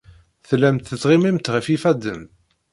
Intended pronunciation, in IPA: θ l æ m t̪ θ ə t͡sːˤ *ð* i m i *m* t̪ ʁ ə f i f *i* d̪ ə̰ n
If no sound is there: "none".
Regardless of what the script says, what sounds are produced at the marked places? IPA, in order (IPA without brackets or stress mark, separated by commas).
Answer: ʁ, m, æ